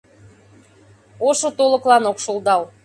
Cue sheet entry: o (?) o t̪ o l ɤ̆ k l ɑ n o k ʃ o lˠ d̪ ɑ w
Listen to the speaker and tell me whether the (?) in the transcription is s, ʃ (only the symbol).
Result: ʃ